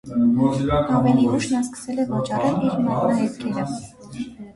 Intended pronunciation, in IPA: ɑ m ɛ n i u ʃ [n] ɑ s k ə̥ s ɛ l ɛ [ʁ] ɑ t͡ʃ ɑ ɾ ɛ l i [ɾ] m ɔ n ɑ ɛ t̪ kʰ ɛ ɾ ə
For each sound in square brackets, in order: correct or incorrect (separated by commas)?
correct, incorrect, correct